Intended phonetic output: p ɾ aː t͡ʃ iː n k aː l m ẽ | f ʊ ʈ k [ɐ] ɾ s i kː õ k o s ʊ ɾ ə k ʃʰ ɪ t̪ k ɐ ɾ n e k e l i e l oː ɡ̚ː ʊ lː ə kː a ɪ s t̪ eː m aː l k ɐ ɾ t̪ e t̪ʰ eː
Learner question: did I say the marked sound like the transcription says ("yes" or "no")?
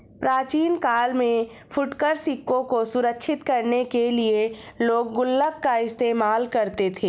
no